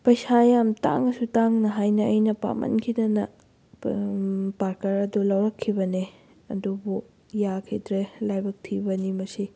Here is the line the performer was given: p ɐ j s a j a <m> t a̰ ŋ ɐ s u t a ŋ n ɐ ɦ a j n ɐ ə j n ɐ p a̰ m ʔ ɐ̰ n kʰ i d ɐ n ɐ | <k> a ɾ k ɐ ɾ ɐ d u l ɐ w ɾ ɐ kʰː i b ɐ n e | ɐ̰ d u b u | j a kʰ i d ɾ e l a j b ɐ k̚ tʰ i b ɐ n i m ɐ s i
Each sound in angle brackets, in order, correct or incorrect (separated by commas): correct, incorrect